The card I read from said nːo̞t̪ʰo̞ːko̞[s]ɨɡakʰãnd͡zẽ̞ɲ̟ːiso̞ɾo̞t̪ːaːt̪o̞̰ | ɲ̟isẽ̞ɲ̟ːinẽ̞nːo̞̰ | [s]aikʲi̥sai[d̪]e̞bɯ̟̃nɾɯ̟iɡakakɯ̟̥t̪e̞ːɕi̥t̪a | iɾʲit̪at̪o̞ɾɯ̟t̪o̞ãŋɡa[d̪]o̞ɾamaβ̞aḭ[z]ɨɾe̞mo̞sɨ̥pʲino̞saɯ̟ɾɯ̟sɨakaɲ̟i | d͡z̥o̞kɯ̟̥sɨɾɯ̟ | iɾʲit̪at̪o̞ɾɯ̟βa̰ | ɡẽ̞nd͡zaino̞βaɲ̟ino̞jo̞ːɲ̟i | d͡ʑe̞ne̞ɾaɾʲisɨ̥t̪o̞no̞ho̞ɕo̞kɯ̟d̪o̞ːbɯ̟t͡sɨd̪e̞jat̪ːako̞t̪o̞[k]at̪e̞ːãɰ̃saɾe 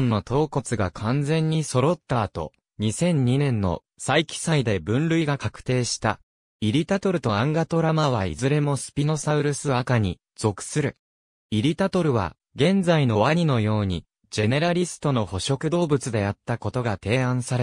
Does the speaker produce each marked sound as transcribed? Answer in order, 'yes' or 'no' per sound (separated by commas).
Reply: no, yes, yes, no, yes, no